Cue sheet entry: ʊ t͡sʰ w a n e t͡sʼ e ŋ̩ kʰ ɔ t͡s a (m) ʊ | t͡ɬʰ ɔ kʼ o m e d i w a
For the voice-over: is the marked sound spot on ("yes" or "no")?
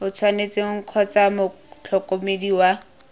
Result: yes